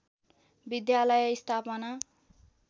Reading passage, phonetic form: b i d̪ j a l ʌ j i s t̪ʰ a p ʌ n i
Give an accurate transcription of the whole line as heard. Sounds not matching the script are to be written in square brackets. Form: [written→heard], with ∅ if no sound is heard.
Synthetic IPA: b i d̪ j a l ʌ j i s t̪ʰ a p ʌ n [i→a]